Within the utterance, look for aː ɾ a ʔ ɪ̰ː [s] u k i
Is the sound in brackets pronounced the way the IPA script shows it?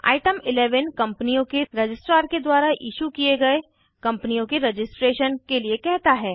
no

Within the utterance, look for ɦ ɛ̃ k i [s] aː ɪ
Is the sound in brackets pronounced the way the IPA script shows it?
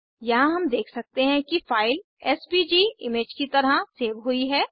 no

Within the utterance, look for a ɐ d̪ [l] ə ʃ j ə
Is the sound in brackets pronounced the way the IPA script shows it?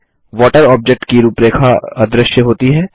no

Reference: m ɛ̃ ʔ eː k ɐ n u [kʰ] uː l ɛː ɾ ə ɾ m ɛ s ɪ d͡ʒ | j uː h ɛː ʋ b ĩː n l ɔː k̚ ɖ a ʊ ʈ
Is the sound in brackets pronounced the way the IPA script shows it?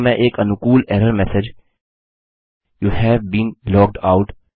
no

